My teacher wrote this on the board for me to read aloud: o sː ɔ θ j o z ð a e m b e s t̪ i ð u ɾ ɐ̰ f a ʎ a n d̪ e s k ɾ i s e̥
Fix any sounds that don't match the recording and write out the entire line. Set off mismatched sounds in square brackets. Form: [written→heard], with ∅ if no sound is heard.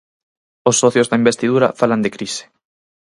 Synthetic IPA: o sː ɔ θ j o z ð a [e→i] m b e s t̪ i ð u ɾ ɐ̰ f a [ʎ→l] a n d̪ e [s→∅] k ɾ i s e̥

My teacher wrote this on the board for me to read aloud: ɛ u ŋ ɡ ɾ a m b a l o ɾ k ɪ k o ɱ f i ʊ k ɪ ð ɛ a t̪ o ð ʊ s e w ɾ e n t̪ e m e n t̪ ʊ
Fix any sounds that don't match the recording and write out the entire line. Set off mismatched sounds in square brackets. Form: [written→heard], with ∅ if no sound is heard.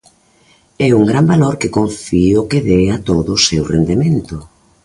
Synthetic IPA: ɛ u ŋ ɡ ɾ a m b a l o ɾ k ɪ k o ɱ f i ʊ k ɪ ð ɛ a t̪ o ð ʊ s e w [ɾ→r] e n [t̪→d̪] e m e n t̪ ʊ

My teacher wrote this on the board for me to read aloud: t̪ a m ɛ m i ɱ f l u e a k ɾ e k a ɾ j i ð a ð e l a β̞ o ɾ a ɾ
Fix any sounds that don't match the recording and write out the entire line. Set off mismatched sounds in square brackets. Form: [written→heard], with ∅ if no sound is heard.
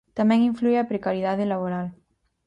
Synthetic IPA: t̪ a m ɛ [m→ŋ] i ɱ f l u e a [k→p] ɾ e k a ɾ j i ð a ð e l a β̞ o ɾ a [ɾ→l]

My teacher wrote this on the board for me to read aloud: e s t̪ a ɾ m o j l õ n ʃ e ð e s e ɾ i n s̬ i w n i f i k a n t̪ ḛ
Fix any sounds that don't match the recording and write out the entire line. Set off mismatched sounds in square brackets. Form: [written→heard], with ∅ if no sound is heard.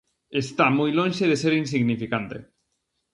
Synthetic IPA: e s t̪ a [ɾ→∅] m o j l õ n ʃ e ð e s e ɾ i n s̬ i [w→ɣ] n i f i k a n t̪ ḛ

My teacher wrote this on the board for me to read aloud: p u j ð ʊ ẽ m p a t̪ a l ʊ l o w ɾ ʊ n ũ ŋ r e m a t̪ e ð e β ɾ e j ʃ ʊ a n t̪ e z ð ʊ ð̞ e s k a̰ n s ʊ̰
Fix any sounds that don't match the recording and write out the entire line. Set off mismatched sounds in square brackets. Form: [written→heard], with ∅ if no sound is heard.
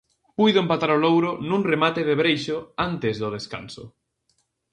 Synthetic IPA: p u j ð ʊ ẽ m p a t̪ a [l→ɾ] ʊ l o w ɾ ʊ n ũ ŋ r e m a t̪ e ð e β ɾ e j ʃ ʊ a n t̪ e z ð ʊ ð̞ e s k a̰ n s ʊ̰

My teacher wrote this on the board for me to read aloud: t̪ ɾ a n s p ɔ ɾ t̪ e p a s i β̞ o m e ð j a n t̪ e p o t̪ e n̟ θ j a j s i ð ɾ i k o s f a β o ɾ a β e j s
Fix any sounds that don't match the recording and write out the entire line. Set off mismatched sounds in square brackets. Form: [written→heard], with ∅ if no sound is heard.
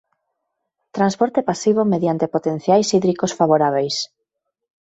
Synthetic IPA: t̪ ɾ a n s p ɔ ɾ t̪ e p a s i β̞ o m e ð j a n t̪ e p o t̪ e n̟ θ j a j s i ð ɾ i k o s f a β o ɾ a β e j s

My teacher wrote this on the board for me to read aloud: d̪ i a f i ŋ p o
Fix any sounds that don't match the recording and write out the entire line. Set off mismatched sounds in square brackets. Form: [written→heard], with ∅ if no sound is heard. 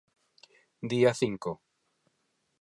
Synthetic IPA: d̪ i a [f→θ] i ŋ [p→k] o

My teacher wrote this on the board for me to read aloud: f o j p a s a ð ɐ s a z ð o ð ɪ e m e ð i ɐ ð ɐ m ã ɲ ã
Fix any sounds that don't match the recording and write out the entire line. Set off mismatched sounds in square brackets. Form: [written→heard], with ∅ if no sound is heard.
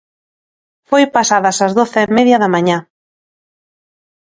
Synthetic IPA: f o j p a s a ð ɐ s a z ð o [ð→θ] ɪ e m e ð [i→j] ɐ ð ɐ m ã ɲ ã

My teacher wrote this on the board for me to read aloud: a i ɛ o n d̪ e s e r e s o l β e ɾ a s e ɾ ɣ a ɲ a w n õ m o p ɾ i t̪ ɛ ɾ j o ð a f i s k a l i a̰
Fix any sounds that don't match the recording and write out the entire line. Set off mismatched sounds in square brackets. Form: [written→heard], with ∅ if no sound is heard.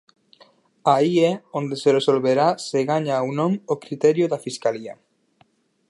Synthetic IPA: a i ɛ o n d̪ e s e r e s o l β e ɾ a s e [ɾ→∅] ɣ a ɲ a w n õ m o [p→k] ɾ i t̪ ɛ ɾ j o ð a f i s k a l i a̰

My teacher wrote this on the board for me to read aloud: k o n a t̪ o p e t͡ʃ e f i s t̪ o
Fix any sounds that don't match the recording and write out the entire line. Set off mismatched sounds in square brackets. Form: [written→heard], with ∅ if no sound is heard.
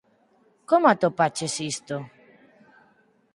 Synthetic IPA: k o [n→m] a t̪ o p [e→a] t͡ʃ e [f→s] i s t̪ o

